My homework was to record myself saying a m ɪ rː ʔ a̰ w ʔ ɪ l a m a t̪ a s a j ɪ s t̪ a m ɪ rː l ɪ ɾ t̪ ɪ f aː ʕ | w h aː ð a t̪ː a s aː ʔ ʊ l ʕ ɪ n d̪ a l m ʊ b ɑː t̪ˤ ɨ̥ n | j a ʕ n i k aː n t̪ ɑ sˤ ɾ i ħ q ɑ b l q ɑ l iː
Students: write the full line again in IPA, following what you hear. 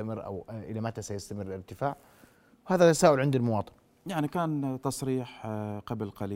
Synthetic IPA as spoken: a m ɪ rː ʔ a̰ w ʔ ɪ l a m a t̪ a s a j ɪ s t̪ a m ɪ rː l ɪ ɾ t̪ ɪ f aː ʕ | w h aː ð a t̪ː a s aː ʔ ʊ l ʕ ɪ n d̪ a l m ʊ w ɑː t̪ˤ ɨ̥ n | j a ʕ n i k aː n t̪ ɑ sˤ ɾ iː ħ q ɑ b l q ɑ l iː